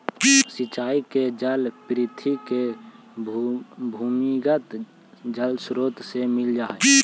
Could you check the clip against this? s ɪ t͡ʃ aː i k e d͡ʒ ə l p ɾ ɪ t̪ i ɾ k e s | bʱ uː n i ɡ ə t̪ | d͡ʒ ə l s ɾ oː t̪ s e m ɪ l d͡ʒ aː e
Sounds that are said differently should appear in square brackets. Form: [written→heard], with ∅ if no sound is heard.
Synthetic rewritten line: s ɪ t͡ʃ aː i k e d͡ʒ ə l p ɾ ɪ [t̪→t̪ʰ] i [ɾ→∅] k e [s→∅] | bʱ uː [n→m] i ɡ ə t̪ | d͡ʒ ə l s ɾ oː t̪ s e m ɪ l d͡ʒ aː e